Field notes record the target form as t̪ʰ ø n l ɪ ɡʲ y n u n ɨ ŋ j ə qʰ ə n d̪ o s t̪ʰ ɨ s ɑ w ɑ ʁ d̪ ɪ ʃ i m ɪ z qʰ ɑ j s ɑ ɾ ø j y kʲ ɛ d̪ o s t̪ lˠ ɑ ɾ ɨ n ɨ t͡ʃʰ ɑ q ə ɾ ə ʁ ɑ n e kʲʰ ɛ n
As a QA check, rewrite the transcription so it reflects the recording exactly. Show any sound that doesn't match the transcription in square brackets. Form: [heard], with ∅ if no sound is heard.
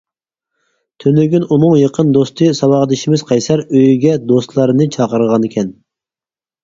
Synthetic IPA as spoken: t̪ʰ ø n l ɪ ɡʲ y n u n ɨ ŋ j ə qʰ ə n d̪ o s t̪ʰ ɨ s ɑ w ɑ ʁ d̪ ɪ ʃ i m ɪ z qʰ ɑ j s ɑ ɾ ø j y [ɡʲ] ɛ d̪ o s t̪ lˠ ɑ ɾ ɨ n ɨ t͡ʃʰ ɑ q ə ɾ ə ʁ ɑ n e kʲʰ ɛ n